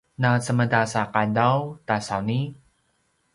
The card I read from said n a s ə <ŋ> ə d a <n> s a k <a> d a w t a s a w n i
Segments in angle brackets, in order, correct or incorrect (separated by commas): incorrect, incorrect, correct